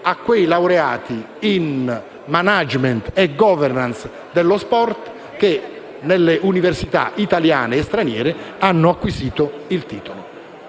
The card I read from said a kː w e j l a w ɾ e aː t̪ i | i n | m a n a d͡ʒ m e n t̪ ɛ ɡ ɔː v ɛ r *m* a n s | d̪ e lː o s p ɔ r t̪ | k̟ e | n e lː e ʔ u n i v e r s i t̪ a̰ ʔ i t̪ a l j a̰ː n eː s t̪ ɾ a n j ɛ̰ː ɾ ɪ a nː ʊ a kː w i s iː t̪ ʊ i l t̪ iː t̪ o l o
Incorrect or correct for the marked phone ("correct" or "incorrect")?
incorrect